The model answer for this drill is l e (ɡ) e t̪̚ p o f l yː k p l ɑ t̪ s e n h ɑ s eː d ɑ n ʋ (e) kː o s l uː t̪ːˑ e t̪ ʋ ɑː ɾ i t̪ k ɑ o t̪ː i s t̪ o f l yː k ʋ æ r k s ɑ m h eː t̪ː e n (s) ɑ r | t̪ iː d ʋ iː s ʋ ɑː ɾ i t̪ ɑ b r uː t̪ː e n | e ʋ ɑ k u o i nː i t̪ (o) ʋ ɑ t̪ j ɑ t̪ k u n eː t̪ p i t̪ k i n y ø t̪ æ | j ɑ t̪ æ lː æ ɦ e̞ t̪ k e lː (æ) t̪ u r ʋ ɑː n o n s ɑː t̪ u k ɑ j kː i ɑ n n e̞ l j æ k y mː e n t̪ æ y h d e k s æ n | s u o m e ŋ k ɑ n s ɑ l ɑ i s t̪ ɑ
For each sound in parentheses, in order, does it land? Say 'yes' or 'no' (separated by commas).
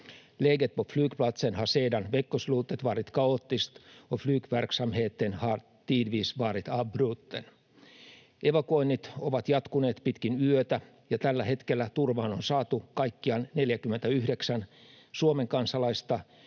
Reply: yes, yes, no, yes, yes